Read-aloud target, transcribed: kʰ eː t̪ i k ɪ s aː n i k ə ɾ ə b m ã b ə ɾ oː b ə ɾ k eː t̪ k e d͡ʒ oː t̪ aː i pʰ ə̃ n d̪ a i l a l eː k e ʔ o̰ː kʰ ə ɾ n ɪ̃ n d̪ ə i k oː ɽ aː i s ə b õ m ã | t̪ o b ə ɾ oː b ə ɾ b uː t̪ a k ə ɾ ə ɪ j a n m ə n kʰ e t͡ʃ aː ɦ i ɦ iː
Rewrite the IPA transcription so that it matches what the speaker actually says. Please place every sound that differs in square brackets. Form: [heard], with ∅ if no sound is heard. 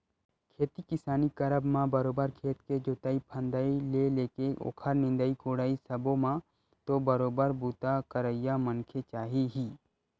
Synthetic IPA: kʰ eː t̪ i k ɪ s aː n i k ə ɾ ə b m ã b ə ɾ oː b ə ɾ [kʰ] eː t̪ k e d͡ʒ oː t̪ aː i pʰ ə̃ n d̪ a i l [e] l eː k e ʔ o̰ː kʰ ə ɾ n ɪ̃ n d̪ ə i k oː ɽ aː i s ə b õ m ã | t̪ o b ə ɾ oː b ə ɾ b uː t̪ a k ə ɾ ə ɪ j a [∅] m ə n kʰ e t͡ʃ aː ɦ i ɦ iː